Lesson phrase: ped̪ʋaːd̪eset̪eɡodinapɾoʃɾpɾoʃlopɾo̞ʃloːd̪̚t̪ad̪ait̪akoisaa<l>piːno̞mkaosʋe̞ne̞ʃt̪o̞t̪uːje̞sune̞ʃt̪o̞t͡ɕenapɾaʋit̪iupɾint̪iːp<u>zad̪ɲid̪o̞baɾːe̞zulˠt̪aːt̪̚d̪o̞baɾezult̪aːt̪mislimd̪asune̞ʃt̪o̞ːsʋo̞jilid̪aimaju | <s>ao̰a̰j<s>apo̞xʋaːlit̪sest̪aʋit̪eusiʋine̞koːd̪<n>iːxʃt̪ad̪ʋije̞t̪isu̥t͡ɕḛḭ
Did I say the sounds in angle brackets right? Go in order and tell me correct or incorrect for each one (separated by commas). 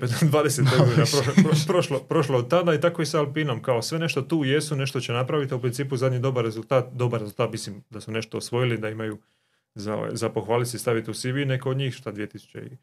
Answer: correct, correct, incorrect, incorrect, incorrect